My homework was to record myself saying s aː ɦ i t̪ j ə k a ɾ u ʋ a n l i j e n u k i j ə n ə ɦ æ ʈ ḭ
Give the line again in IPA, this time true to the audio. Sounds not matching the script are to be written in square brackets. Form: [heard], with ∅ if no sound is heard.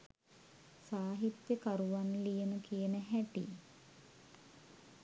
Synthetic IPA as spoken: s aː ɦ i t̪ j ə k a ɾ u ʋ a n l i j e n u k i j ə n ə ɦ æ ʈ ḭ